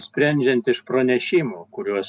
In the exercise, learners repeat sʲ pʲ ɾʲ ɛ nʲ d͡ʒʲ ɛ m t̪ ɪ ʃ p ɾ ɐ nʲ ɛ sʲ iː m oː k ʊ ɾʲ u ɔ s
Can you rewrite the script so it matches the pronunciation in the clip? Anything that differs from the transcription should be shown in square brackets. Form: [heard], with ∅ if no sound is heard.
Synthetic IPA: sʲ pʲ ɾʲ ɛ nʲ d͡ʒʲ ɛ [n] t̪ ɪ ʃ p ɾ ɐ nʲ ɛ [ʃʲ] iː m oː k ʊ ɾʲ u ɔ s

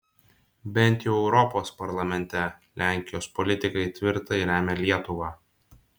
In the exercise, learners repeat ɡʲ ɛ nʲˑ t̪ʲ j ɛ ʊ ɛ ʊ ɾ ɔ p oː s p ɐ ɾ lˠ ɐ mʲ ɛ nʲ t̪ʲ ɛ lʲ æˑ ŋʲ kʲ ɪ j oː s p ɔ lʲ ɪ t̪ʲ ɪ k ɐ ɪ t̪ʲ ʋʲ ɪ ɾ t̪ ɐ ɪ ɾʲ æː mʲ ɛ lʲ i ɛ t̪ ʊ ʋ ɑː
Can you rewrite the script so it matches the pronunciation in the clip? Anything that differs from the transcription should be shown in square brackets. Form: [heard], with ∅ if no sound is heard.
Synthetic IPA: [bʲ] ɛ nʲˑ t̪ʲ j ɛ ʊ ɛ ʊ ɾ ɔ p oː s p ɐ ɾ lˠ ɐ mʲ ɛ nʲ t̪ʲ ɛ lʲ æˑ ŋʲ kʲ ɪ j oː s p ɔ lʲ ɪ t̪ʲ ɪ k ɐ ɪ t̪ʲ ʋʲ ɪ ɾ t̪ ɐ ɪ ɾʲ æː mʲ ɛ lʲ i ɛ t̪ ʊ ʋ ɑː

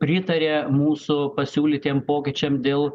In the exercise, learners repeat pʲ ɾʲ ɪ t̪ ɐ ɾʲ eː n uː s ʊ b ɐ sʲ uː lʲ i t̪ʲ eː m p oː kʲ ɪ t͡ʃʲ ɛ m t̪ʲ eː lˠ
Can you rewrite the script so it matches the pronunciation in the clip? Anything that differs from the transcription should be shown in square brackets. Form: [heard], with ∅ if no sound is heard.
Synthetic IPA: pʲ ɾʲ ɪ t̪ ɐ ɾʲ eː [m] uː s ʊ [p] ɐ sʲ uː lʲ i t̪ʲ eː m p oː kʲ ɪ t͡ʃʲ ɛ m [d̪ʲ] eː lˠ

